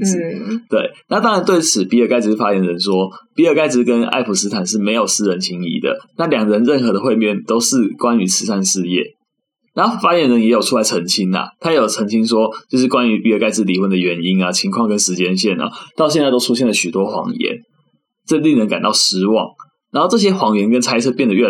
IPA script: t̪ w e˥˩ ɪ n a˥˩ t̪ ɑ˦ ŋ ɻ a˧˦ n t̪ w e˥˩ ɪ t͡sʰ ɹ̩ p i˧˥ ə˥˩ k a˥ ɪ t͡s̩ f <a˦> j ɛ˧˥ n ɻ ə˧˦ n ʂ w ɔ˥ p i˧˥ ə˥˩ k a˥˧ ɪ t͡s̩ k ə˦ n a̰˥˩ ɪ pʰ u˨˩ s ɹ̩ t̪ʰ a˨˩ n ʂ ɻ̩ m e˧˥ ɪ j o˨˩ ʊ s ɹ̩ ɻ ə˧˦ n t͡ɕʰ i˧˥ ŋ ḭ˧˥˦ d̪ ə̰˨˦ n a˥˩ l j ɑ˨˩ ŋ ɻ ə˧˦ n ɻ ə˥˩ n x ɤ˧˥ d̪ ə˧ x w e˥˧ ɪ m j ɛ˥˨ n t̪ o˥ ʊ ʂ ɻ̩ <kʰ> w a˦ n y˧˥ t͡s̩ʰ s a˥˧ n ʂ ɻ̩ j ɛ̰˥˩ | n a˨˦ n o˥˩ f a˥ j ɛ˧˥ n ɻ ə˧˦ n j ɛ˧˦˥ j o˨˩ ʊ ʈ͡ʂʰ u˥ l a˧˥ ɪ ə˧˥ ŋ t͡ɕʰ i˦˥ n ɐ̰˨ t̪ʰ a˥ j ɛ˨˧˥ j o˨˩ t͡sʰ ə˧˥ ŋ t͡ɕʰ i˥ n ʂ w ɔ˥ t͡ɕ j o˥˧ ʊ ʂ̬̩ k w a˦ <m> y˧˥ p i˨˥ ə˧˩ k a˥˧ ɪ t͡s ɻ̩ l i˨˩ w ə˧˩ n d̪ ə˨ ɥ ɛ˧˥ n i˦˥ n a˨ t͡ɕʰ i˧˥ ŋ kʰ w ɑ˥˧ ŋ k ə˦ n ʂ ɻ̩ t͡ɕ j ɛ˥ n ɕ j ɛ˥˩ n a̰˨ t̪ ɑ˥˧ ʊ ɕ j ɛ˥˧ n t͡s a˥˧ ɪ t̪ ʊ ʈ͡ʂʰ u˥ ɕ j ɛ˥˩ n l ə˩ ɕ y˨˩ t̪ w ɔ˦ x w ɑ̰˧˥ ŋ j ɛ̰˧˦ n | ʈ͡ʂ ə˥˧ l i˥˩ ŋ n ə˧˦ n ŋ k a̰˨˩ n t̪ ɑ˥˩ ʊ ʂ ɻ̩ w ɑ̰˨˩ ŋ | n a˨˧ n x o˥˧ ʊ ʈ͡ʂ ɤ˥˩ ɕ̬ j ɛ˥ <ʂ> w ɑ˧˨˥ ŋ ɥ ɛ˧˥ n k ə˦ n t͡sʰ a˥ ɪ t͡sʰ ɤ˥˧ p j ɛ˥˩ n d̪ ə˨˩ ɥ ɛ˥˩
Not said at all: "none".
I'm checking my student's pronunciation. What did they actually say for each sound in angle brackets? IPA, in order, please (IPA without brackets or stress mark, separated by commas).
a˦, k, n, x